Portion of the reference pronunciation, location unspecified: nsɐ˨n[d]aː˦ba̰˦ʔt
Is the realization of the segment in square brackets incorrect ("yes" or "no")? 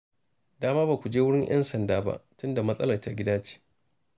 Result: no